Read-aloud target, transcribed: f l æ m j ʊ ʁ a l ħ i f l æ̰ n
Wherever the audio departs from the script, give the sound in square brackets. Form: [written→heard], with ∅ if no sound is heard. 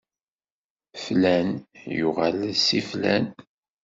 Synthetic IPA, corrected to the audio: f l æ [m→n] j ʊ ʁ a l [ħ→s] i f l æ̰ n